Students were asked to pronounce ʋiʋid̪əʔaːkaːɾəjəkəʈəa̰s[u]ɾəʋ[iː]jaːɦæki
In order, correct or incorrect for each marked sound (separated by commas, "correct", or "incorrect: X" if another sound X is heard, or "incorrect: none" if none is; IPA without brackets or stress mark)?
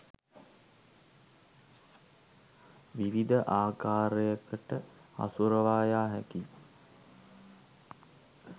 correct, incorrect: aː